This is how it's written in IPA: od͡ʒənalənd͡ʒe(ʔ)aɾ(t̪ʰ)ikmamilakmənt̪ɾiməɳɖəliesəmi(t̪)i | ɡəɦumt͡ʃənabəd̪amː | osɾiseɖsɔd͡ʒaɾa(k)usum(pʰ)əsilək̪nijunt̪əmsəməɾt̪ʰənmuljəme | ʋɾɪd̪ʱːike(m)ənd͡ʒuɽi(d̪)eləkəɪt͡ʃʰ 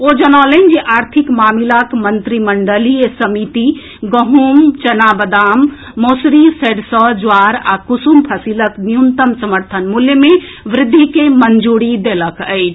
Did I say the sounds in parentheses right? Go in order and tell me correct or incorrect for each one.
correct, correct, correct, correct, correct, correct, correct

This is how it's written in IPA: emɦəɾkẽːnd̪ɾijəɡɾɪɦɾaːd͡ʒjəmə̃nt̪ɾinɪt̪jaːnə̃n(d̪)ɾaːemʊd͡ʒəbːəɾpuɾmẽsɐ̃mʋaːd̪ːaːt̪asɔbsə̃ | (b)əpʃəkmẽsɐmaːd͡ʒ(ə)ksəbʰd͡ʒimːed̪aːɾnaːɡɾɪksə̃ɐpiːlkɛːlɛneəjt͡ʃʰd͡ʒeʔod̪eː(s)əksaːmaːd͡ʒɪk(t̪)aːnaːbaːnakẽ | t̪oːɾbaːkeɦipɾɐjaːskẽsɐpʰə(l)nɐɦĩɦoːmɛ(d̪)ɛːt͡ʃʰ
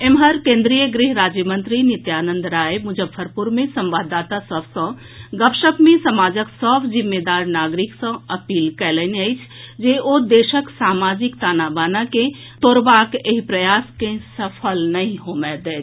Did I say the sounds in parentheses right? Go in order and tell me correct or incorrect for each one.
correct, incorrect: ɡ, correct, incorrect: ʃ, correct, correct, correct

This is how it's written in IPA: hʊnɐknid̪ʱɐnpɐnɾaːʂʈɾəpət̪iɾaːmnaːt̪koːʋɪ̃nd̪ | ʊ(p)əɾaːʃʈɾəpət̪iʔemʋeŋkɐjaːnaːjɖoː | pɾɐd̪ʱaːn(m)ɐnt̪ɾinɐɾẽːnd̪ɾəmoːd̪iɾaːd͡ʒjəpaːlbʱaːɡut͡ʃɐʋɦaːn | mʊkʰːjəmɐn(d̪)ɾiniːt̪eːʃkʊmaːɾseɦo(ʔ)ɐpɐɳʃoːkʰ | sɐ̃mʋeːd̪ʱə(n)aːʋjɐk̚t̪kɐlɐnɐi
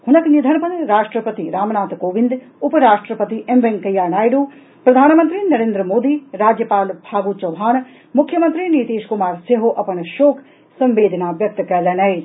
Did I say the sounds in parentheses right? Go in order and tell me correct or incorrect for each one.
correct, correct, incorrect: t̪, correct, correct

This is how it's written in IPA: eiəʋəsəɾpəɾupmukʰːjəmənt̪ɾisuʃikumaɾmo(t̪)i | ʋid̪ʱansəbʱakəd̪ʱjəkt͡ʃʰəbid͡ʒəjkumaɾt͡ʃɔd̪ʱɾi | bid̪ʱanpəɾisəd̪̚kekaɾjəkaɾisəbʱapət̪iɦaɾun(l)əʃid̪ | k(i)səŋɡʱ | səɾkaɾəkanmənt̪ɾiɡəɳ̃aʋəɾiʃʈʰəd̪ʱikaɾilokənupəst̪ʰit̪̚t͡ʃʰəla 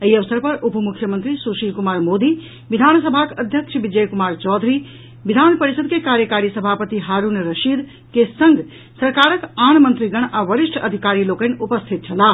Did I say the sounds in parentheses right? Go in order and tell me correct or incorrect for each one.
incorrect: d̪, incorrect: ɾ, incorrect: e

